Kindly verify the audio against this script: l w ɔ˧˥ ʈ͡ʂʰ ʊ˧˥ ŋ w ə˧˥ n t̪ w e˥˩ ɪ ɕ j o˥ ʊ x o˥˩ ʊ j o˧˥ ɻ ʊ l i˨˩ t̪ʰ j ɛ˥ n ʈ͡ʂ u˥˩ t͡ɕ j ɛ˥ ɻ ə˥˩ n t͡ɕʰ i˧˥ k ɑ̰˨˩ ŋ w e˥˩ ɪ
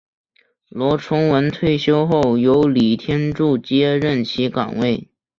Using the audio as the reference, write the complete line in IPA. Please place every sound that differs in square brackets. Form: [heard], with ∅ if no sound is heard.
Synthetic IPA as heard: l w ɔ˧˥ ʈ͡ʂʰ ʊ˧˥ ŋ w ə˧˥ n [t̪ʰ] w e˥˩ ɪ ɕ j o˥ ʊ x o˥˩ ʊ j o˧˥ [∅] ʊ l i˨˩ t̪ʰ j ɛ˥ n ʈ͡ʂ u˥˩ t͡ɕ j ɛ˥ ɻ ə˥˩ n t͡ɕʰ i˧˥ k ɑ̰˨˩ ŋ w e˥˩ ɪ